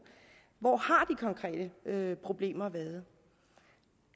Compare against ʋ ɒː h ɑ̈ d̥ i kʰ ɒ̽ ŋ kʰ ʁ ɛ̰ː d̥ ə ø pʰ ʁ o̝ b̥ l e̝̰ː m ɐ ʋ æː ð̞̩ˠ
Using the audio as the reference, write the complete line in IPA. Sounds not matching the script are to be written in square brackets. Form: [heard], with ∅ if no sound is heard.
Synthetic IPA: ʋ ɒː h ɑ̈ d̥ i kʰ ɒ̽ ŋ kʰ ʁ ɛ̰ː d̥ ə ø pʰ ʁ o̝ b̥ l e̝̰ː m ɐ ʋ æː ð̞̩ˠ